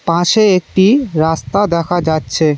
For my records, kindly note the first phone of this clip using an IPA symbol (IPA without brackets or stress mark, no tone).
p